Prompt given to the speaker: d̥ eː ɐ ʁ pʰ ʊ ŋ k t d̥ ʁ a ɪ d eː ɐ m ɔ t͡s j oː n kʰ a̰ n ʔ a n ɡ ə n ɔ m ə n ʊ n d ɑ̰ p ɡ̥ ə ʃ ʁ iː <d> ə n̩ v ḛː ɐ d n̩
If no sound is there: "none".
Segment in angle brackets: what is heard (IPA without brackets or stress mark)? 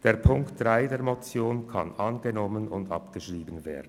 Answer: b